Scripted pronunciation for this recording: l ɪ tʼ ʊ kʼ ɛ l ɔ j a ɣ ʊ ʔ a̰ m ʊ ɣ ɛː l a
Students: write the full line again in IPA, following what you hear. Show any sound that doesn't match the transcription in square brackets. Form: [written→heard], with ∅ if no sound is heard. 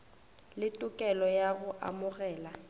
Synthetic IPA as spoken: l ɪ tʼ ʊ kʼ ɛ l ɔ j a ɣ ʊ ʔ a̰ m ʊ ɣ ɛː l a